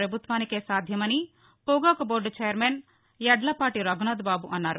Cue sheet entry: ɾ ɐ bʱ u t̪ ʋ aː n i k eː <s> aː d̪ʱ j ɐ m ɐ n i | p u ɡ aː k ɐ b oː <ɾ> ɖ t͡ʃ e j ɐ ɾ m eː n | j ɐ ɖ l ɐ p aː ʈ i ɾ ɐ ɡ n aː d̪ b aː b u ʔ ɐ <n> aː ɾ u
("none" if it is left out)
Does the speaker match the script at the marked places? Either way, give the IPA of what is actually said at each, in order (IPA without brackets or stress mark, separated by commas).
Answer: s, ɾ, nː